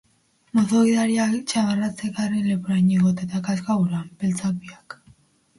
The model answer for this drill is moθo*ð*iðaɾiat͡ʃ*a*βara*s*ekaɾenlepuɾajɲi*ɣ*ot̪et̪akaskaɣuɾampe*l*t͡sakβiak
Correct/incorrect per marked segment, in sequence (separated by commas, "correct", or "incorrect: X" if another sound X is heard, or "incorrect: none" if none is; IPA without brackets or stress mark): incorrect: ɣ, correct, incorrect: t͡s, correct, correct